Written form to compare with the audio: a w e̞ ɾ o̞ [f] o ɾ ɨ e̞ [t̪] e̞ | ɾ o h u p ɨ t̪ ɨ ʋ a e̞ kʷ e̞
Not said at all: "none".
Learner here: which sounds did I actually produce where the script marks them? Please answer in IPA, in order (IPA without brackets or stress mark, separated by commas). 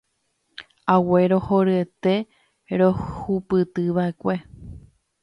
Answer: h, t̪